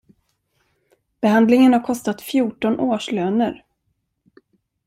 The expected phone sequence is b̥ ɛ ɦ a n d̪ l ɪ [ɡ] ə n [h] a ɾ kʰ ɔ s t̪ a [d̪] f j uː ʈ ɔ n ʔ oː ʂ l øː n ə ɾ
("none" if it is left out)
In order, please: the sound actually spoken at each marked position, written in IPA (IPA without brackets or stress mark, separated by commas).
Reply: ŋ, h, t̪